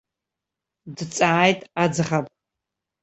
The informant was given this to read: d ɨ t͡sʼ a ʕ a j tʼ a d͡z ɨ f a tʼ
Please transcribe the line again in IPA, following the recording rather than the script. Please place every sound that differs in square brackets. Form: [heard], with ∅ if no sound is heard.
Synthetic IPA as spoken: d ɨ t͡sʼ a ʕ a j tʼ a d͡z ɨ [χ] a [pʼ]